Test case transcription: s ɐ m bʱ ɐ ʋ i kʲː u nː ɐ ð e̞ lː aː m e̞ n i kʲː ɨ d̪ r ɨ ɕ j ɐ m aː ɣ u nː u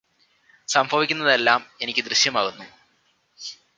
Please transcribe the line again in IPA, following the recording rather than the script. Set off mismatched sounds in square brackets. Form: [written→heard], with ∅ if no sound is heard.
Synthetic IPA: s ɐ m bʱ ɐ ʋ i kʲː u nː ɐ ð e̞ lː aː m e̞ n i kʲː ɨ d̪ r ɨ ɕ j ɐ m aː ɣ u nː u

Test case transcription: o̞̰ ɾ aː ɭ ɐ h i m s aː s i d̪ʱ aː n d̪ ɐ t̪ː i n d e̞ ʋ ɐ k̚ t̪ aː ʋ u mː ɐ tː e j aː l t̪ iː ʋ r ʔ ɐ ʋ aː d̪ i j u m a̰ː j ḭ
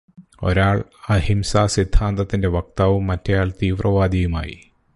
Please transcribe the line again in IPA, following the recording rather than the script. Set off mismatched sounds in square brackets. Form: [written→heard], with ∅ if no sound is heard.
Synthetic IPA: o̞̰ ɾ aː ɭ ɐ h i m s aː s i d̪ʱ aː n d̪ ɐ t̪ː i n d e̞ ʋ ɐ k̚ t̪ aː ʋ u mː ɐ tː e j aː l t̪ iː ʋ r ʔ ɐ ʋ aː d̪ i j u m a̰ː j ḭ

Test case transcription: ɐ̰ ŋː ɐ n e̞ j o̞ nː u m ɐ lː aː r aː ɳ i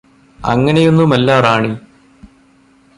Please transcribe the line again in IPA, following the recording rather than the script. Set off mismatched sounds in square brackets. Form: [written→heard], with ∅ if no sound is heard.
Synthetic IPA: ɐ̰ ŋː ɐ n e̞ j o̞ nː u m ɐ lː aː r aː ɳ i

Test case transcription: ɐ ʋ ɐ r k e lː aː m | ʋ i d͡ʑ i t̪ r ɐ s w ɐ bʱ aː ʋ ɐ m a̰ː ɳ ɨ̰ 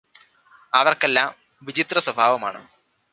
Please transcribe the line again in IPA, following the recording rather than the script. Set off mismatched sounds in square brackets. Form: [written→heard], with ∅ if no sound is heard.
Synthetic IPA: ɐ ʋ ɐ r k e lː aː m | ʋ i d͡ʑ i t̪ r ɐ s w ɐ bʱ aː ʋ ɐ m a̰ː ɳ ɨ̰

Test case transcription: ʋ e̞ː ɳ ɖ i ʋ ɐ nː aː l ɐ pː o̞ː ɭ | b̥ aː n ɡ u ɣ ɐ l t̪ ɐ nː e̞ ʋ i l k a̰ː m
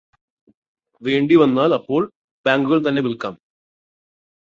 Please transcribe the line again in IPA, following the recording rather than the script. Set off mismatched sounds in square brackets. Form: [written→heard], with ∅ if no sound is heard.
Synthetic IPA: ʋ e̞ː ɳ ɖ i ʋ ɐ nː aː l ɐ pː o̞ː ɭ | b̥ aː [n→ŋ] ɡ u ɣ ɐ [l→ɭ] t̪ ɐ nː e̞ ʋ i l k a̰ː m

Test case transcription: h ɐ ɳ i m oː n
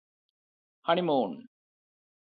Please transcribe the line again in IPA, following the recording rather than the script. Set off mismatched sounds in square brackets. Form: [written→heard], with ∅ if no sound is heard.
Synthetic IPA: h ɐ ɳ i m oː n

